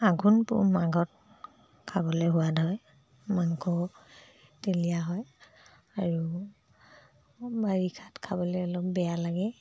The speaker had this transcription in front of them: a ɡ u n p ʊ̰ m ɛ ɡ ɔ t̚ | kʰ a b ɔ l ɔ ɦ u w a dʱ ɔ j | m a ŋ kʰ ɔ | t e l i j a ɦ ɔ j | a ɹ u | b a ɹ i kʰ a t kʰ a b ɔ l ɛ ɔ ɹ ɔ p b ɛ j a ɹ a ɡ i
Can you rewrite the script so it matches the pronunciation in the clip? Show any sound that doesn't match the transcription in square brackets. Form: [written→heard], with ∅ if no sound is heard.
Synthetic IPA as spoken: a ɡ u n p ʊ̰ m [ɛ→a] ɡ ɔ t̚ | kʰ a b ɔ l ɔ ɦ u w a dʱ ɔ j | m a ŋ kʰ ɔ | t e l i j a ɦ ɔ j | a ɹ u | b a ɹ i kʰ a t kʰ a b ɔ l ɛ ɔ [ɹ→l] ɔ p b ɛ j a [ɹ→l] a ɡ [i→ɛ]